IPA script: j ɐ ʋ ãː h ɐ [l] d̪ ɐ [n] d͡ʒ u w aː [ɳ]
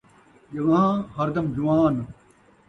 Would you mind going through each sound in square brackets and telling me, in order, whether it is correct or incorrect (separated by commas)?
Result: incorrect, incorrect, incorrect